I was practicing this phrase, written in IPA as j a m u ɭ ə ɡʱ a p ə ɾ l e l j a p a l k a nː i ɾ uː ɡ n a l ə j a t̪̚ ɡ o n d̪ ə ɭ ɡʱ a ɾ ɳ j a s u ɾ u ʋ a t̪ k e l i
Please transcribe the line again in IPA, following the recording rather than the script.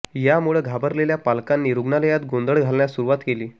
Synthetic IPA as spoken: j a m u ɭ ə ɡʱ a b ə ɾ l e l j a p a l k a nː i ɾ u ɡ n a l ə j a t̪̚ ɡ o n d̪ ə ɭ ɡʱ a l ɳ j a s u ɾ u ʋ a t̪ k e l iː